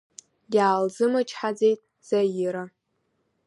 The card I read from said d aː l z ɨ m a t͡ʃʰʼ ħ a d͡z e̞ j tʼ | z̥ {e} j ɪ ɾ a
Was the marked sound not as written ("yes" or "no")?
yes